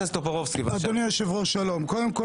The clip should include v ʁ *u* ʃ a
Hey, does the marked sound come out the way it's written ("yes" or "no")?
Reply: no